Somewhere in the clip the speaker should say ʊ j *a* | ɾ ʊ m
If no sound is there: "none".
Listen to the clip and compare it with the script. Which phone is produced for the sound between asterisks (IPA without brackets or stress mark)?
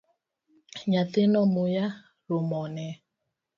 a